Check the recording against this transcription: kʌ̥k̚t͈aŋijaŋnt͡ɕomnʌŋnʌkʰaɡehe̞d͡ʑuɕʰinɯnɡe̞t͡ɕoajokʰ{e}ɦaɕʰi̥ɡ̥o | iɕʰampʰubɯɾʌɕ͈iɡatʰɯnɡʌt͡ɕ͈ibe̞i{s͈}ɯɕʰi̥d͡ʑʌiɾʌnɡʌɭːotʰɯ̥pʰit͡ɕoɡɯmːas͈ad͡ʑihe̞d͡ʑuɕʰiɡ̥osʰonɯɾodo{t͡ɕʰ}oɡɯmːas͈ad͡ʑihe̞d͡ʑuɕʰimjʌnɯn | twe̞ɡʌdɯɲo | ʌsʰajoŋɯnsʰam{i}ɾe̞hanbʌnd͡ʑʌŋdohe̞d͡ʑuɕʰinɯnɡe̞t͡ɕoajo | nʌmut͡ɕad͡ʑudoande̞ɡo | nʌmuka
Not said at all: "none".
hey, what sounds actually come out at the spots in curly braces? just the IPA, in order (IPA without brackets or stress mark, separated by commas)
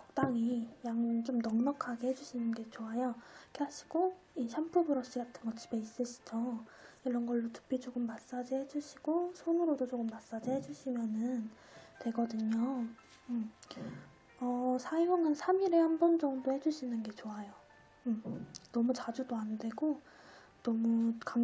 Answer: e, s͈, t͡ɕ, i